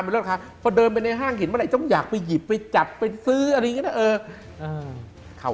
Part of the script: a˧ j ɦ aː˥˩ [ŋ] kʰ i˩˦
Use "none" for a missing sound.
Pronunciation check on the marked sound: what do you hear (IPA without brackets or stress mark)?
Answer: ŋ